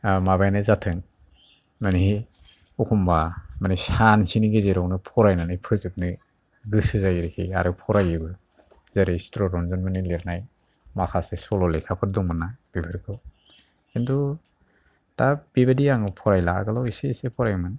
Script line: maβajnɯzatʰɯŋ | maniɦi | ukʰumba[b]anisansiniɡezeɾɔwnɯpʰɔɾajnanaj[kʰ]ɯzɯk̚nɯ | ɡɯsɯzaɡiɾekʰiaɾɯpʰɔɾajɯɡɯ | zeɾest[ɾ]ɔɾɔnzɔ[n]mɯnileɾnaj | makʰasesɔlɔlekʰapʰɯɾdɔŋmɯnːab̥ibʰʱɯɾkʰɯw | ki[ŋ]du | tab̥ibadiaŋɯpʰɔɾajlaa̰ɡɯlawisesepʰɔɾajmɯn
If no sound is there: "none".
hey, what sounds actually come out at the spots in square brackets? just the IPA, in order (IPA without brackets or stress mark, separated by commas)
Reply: m, pʰ, ɾ, n, n